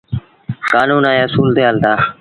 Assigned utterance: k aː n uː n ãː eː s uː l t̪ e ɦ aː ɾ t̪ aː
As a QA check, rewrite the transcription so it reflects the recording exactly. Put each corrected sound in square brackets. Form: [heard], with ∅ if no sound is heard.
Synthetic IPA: k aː n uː n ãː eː s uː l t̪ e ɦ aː [l] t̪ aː